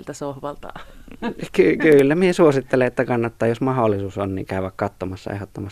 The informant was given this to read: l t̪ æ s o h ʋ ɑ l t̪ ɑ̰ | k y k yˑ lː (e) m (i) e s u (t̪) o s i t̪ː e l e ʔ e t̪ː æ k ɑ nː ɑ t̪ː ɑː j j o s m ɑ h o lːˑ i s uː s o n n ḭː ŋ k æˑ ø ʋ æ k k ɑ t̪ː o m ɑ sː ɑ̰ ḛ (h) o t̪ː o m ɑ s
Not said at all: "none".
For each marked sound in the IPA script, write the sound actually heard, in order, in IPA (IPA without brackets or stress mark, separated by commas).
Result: æ, i, none, h